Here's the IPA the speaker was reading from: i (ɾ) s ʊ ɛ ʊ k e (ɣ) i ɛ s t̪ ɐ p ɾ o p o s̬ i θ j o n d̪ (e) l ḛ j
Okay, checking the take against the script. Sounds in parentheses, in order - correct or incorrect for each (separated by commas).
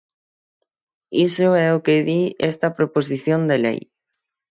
incorrect, incorrect, correct